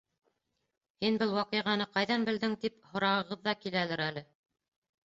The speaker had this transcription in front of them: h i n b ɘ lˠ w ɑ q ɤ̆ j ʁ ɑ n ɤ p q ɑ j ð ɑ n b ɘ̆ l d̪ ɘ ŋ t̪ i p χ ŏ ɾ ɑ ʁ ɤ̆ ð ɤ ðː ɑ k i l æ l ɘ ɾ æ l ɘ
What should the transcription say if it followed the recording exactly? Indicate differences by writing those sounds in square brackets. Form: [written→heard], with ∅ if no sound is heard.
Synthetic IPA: h i n b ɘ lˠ w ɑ q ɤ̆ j ʁ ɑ n ɤ [p→∅] q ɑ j ð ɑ n b ɘ̆ l d̪ ɘ ŋ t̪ i p [χ→h] ŏ ɾ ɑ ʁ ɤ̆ [ð→ʁ] ɤ ðː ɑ k i l æ l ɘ ɾ æ l ɘ

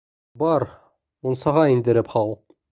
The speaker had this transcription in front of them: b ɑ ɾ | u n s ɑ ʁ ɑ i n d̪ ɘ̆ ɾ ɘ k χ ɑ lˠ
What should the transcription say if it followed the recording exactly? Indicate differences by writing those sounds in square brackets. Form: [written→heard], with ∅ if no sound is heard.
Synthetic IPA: b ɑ ɾ | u n s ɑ ʁ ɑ i n d̪ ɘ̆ ɾ ɘ [k→p] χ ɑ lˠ

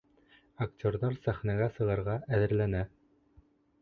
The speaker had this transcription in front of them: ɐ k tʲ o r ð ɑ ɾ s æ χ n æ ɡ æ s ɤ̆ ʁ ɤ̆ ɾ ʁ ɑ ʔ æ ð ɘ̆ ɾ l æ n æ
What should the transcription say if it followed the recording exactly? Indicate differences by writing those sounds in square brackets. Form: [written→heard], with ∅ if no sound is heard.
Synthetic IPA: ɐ k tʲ o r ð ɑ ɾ s æ χ n æ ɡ æ s ɤ̆ ʁ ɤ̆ ɾ ʁ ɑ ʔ æ ð ɘ̆ ɾ l æ n æ

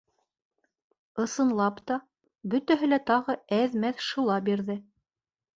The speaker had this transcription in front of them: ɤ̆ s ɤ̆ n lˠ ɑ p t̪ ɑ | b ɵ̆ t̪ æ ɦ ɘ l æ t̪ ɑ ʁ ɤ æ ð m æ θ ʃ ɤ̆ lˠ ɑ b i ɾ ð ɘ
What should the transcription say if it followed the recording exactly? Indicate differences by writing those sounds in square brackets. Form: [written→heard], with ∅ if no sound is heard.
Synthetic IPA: ɤ̆ s ɤ̆ n lˠ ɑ p t̪ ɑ | b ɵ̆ t̪ æ ɦ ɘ l æ t̪ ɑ ʁ ɤ æ ð m æ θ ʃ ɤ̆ lˠ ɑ b i ɾ ð ɘ

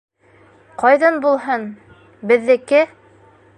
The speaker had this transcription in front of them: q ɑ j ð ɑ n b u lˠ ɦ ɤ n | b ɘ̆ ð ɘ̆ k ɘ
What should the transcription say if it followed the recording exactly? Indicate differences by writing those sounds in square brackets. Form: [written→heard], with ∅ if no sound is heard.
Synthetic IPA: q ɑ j ð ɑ n b u lˠ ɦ ɤ n | b ɘ̆ [ð→ðː] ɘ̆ k ɘ

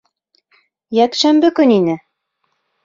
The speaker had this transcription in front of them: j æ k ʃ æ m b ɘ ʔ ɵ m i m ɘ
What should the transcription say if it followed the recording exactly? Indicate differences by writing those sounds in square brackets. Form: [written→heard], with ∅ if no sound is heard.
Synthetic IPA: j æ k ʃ æ m b ɘ [ʔ→k] ɵ [m→n] i [m→n] ɘ

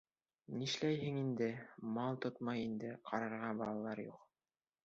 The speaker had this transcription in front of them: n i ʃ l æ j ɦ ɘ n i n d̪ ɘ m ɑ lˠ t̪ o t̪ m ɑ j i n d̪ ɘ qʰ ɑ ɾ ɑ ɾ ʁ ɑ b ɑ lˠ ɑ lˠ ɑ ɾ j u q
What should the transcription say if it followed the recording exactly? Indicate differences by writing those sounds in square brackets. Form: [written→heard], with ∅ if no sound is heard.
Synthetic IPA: n i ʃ l æ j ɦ ɘ [n→ŋ] i n d̪ ɘ m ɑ lˠ t̪ o t̪ m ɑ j i n d̪ ɘ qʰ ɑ ɾ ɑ ɾ ʁ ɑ b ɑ lˠ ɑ lˠ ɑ ɾ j u q

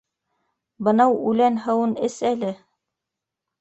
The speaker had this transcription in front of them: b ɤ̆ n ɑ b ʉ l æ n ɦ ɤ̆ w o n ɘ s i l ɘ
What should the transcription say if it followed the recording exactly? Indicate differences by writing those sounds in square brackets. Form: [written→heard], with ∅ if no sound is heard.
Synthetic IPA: b ɤ̆ n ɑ [b→w] ʉ l æ n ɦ ɤ̆ w [o→ɤ] n ɘ s [i→æ] l ɘ

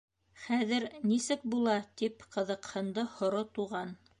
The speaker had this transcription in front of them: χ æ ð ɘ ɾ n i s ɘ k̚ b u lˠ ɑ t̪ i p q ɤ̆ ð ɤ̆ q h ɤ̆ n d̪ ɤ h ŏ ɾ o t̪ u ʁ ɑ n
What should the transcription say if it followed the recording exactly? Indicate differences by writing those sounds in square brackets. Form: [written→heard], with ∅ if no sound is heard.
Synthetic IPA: χ æ ð ɘ ɾ n i s ɘ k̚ b u lˠ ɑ t̪ i p q ɤ̆ ð ɤ̆ q h ɤ̆ n d̪ ɤ h ŏ ɾ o t̪ u ʁ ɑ n

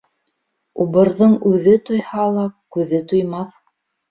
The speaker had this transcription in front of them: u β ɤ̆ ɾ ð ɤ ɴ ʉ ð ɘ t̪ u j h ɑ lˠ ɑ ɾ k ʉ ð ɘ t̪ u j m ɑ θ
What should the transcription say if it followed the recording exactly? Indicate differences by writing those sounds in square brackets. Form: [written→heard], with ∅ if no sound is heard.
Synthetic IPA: u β ɤ̆ ɾ ð ɤ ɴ ʉ ð ɘ t̪ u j h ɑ lˠ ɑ [ɾ→∅] k ʉ ð ɘ t̪ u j m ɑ θ

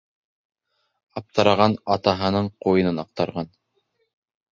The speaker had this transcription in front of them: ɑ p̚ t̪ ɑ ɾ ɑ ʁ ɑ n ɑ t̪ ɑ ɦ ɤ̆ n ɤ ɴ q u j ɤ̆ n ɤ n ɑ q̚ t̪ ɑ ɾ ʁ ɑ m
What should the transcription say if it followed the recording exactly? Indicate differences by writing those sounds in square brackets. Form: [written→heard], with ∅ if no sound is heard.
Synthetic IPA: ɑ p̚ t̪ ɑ ɾ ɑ ʁ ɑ n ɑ t̪ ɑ ɦ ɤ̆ n ɤ ɴ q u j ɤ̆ n ɤ n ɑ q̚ t̪ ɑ ɾ ʁ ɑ [m→n]

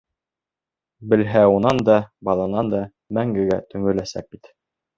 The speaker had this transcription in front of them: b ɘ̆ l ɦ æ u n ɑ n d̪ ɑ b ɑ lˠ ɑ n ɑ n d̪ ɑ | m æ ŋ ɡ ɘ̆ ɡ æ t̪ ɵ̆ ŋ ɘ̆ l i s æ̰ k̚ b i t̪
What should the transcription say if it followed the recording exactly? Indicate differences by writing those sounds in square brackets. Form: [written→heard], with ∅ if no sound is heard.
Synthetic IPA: b ɘ̆ l ɦ æ u n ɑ n d̪ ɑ b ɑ lˠ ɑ n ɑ n d̪ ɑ | m æ ŋ ɡ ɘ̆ ɡ æ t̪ ɵ̆ ŋ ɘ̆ l [i→æ] s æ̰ k̚ b i t̪

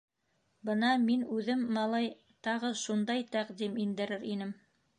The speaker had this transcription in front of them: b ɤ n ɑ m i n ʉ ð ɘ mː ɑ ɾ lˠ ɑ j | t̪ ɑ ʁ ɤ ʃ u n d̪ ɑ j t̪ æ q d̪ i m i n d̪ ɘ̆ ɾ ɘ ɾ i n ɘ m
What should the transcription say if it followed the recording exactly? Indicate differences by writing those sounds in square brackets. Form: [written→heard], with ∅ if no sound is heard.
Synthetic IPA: b ɤ n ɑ m i n ʉ ð ɘ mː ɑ [ɾ→∅] lˠ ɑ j | t̪ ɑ ʁ ɤ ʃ u n d̪ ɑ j t̪ æ q d̪ i m i n d̪ ɘ̆ ɾ ɘ ɾ i n ɘ m

